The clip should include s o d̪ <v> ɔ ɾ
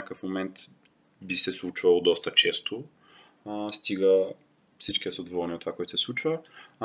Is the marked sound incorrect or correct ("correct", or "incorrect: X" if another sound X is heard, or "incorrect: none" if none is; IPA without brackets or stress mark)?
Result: correct